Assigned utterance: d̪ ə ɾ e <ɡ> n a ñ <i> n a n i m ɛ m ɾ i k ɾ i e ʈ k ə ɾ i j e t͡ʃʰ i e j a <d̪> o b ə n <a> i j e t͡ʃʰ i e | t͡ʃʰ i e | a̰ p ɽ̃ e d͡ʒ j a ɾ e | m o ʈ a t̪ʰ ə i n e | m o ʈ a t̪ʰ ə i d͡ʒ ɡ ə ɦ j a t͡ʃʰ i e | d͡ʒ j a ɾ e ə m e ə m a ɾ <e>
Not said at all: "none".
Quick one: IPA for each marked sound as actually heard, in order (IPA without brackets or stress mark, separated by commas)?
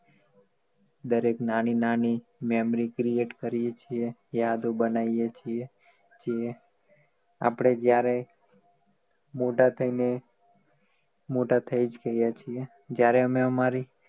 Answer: k, i, d̪, a, i